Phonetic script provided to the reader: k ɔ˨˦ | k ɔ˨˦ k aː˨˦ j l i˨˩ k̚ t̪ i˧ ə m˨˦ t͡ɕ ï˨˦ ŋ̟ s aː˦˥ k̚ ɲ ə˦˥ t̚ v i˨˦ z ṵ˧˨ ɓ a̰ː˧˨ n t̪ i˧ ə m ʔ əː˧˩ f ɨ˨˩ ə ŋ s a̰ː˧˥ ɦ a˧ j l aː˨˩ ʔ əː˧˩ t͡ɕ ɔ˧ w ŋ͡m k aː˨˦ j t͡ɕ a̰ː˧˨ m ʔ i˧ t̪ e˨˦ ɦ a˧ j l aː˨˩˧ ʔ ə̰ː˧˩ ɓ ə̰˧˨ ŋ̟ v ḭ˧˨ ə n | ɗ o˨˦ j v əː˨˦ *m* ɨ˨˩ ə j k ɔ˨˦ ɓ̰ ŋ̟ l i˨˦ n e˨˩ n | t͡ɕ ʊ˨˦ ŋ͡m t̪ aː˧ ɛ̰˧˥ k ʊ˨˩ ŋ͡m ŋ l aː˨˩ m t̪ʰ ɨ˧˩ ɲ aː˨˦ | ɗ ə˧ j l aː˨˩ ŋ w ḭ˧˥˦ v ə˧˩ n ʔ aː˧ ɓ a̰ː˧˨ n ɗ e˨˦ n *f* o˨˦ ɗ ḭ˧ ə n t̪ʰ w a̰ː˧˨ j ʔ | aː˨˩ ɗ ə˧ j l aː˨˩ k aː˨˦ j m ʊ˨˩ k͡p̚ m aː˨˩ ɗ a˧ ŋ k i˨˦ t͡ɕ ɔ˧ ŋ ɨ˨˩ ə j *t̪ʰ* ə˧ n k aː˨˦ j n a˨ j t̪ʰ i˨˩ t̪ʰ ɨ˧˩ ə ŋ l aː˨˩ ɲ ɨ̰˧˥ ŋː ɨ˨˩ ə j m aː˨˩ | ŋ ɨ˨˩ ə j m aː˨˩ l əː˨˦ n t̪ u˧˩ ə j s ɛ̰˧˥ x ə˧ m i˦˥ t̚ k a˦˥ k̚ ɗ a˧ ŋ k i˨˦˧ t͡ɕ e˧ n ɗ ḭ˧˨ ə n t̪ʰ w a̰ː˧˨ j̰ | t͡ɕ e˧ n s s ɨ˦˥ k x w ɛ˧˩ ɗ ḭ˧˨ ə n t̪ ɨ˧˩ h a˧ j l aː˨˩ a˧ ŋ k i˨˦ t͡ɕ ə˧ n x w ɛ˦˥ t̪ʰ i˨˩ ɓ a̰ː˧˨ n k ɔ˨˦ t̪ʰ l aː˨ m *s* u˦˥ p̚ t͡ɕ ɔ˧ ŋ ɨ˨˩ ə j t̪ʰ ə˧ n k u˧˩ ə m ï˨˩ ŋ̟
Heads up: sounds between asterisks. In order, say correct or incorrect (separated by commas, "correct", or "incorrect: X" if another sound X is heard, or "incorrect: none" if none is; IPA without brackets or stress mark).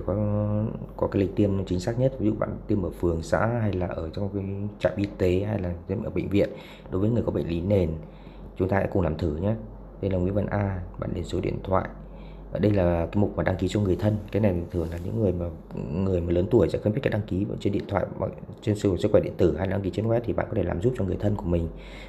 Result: incorrect: ŋ, incorrect: s, correct, incorrect: z